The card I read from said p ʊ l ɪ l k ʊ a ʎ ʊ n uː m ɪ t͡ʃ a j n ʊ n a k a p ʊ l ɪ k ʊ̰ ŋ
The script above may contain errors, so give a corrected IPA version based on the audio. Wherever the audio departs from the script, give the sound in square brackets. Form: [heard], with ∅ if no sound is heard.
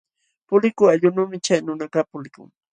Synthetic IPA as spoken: p ʊ l ɪ [∅] k ʊ a ʎ ʊ n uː m ɪ t͡ʃ a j n ʊ n a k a p ʊ l ɪ k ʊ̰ ŋ

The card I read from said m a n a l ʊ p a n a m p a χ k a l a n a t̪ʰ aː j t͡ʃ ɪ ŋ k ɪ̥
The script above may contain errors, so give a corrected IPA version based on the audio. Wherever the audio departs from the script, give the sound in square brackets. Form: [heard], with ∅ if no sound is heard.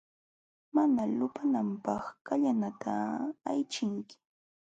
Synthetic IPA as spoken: m a n a l ʊ p a n a m p [ɑ] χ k a [ʎ] a n a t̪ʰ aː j t͡ʃ ɪ ŋ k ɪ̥

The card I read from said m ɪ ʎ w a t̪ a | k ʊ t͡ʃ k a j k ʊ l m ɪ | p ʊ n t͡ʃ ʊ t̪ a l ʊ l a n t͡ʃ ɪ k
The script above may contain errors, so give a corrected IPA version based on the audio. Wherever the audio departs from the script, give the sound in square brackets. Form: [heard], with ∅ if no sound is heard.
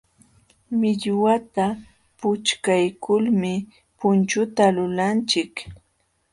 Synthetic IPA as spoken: m ɪ ʎ w a t̪ a | [p] ʊ t͡ʃ k a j k ʊ l m ɪ | p ʊ n t͡ʃ ʊ t̪ a l ʊ l a n t͡ʃ ɪ k

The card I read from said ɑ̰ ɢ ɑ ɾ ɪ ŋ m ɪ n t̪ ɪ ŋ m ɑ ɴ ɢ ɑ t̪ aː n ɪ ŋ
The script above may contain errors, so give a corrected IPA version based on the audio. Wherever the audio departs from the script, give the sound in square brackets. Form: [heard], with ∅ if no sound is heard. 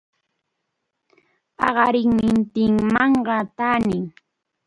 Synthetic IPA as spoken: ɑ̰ ɢ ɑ ɾ ɪ ŋ m ɪ n t̪ ɪ ŋ m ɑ ɴ ɢ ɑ t̪ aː n ɪ ŋ

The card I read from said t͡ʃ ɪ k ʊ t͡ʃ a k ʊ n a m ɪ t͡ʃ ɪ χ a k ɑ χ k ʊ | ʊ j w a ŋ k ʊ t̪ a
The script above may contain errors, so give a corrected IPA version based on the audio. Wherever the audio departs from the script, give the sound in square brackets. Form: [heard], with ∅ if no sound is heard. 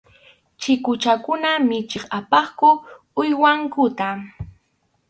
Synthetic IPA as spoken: t͡ʃ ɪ k ʊ t͡ʃ a k ʊ n a m ɪ t͡ʃ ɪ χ a [p] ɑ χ k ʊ | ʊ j w a ŋ k ʊ t̪ a

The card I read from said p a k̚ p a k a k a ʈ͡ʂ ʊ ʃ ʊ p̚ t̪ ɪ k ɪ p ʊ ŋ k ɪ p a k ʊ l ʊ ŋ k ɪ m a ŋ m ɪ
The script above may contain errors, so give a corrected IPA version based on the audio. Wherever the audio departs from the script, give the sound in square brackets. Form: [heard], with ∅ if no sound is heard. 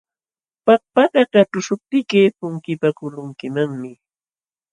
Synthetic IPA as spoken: p a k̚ p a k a k a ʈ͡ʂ ʊ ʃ ʊ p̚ t̪ ɪ k ɪ p ʊ ŋ k ɪ p a k ʊ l ʊ ŋ k ɪ m a ŋ m ɪ

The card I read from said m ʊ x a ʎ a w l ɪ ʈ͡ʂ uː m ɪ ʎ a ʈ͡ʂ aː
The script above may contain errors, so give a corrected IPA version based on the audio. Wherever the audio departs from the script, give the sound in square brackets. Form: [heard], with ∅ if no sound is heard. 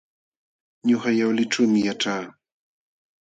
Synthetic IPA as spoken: [ɲ] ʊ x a [j] a w l ɪ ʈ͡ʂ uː m ɪ [j] a ʈ͡ʂ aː

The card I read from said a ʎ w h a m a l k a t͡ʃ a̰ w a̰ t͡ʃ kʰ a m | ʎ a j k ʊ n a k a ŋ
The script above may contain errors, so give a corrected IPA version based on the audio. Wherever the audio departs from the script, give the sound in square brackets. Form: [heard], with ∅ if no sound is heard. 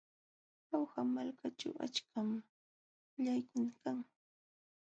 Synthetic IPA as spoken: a [∅] w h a m a l k a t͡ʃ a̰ w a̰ t͡ʃ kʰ a m | ʎ a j k ʊ n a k a ŋ

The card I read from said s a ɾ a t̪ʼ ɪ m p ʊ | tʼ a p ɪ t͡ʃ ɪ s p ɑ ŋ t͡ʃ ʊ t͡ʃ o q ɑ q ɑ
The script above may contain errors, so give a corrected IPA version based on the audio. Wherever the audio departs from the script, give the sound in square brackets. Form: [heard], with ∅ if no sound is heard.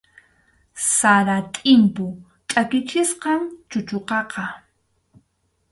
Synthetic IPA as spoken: s a ɾ a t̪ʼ ɪ m p ʊ | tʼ a [k] ɪ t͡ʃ ɪ s [q] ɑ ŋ t͡ʃ ʊ t͡ʃ o q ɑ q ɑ

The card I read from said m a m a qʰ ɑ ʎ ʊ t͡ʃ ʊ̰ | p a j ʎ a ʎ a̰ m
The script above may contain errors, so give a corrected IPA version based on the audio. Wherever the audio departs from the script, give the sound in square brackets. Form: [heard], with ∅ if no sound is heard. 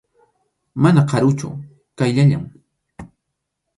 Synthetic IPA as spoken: m a [n] a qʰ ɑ [ɾ] ʊ t͡ʃ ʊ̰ | [k] a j ʎ a ʎ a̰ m

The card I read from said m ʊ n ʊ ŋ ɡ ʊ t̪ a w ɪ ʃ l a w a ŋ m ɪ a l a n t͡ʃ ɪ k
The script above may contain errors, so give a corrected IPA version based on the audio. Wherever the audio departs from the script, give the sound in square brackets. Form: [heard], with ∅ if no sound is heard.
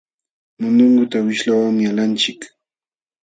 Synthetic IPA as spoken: m ʊ n ʊ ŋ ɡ ʊ t̪ a w ɪ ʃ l a w a ŋ m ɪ a l a n t͡ʃ ɪ k

